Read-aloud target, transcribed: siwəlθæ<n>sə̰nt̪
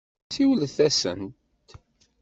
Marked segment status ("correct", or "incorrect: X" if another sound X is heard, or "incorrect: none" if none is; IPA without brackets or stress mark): incorrect: none